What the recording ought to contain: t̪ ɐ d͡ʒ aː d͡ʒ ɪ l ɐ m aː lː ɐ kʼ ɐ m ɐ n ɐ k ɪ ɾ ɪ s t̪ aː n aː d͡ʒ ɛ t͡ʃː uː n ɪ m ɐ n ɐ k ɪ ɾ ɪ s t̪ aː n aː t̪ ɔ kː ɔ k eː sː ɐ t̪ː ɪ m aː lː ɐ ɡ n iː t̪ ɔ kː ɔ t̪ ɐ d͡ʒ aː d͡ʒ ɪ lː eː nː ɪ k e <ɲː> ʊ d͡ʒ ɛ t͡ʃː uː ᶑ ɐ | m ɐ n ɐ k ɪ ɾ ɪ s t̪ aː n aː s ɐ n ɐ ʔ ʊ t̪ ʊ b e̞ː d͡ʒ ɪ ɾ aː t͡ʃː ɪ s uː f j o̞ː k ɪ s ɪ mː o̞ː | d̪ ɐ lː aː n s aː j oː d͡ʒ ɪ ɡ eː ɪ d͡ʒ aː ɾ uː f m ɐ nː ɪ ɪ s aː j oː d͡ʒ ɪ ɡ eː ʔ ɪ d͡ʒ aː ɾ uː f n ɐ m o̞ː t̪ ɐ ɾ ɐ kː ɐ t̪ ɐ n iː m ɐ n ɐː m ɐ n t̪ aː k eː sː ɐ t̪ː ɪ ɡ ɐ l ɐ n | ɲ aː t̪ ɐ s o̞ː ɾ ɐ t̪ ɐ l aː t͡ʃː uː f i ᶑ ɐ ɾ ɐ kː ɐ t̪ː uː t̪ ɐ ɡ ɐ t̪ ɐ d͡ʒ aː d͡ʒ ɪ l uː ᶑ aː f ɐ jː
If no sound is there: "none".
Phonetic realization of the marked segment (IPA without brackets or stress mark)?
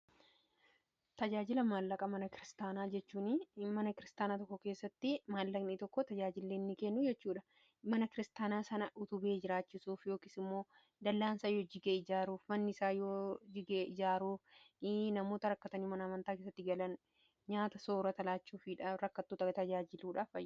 nː